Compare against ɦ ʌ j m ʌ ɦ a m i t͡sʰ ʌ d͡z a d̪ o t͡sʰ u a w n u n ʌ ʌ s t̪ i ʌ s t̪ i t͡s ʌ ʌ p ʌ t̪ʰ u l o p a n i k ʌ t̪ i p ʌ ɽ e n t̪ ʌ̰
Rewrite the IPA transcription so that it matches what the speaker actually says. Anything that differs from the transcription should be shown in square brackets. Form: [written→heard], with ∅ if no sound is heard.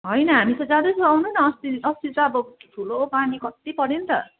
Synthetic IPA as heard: ɦ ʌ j [m→n] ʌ ɦ a m i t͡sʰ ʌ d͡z a d̪ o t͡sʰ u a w n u n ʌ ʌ s t̪ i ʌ s t̪ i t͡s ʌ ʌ [p→b] ʌ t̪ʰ u l o p a n i k ʌ t̪ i p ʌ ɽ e n t̪ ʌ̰

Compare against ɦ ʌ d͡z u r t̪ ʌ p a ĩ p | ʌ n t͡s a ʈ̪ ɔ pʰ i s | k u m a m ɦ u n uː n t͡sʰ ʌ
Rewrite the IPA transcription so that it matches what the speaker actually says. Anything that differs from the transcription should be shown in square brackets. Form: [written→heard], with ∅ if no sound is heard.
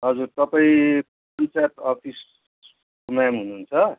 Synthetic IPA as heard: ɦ ʌ d͡z u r t̪ ʌ p a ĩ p | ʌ n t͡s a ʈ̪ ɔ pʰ i s | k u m a m ɦ u n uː n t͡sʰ ʌ

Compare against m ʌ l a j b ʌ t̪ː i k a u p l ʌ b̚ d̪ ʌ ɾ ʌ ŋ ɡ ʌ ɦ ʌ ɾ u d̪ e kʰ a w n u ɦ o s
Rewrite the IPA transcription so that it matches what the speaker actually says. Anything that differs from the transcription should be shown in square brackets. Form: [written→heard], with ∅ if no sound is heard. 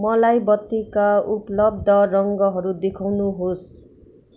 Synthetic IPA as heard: m ʌ l a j b ʌ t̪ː i k a u p l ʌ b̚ d̪ ʌ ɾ ʌ ŋ ɡ ʌ ɦ ʌ ɾ u d̪ e kʰ a w n u ɦ o s

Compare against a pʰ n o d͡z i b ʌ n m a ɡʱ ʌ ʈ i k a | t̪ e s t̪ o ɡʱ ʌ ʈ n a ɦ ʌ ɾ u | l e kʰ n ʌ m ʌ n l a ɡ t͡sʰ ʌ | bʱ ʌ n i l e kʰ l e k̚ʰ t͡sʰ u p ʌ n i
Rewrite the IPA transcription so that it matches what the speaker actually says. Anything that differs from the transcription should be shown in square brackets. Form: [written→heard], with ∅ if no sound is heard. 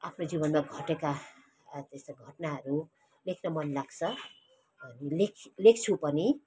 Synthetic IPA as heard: a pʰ n o d͡z i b ʌ n m a ɡʱ ʌ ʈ [i→e] k a | t̪ e s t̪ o ɡʱ ʌ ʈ n a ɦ ʌ ɾ u | l e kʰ n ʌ m ʌ n l a ɡ t͡sʰ ʌ | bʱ ʌ n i l e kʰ l e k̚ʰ t͡sʰ u p ʌ n i

